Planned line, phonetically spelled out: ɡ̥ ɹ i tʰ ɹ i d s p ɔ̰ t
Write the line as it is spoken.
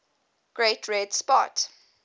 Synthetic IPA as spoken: ɡ̥ ɹ e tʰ ɹ ɛ d s p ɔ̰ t